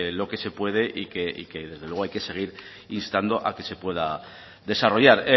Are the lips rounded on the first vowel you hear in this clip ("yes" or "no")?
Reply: yes